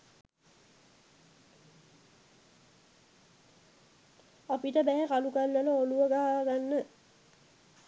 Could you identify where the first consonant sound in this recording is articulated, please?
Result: labial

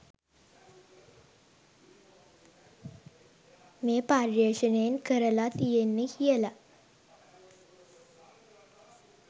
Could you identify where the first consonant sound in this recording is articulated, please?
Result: labial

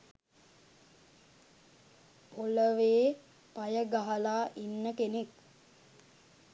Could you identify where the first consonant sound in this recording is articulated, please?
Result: alveolar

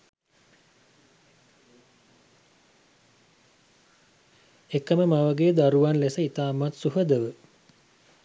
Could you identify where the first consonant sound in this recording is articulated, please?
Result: velar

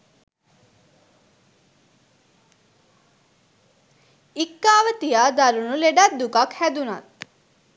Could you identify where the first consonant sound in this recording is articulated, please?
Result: velar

